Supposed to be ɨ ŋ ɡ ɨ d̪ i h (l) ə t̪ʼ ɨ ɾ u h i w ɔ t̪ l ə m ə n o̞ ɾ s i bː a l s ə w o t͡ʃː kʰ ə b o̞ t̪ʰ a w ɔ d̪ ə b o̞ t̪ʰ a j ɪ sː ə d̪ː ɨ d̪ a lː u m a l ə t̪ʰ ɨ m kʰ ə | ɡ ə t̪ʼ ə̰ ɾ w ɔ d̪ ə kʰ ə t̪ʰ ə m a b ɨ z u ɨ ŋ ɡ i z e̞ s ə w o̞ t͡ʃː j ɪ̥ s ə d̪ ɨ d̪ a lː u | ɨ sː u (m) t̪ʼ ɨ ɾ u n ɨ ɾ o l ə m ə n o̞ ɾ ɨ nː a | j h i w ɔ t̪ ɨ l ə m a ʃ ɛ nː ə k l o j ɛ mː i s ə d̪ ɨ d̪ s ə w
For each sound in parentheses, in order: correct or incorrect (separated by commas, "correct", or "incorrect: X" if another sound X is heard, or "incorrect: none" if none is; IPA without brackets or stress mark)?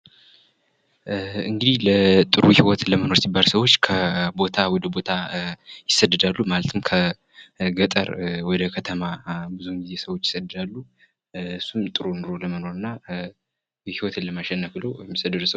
correct, correct